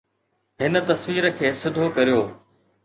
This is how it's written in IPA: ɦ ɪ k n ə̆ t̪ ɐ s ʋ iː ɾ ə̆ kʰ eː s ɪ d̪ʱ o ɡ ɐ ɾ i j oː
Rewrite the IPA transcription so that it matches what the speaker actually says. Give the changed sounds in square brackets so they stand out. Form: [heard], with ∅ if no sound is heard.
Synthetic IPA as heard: ɦ ɪ [∅] n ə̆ t̪ ɐ s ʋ iː ɾ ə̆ kʰ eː s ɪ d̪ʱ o [k] ɐ ɾ i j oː